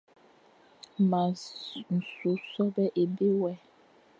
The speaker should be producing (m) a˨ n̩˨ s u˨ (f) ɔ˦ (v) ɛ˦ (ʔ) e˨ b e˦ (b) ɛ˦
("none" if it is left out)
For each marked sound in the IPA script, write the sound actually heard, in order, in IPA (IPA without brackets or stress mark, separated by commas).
m, s, b, ʔ, w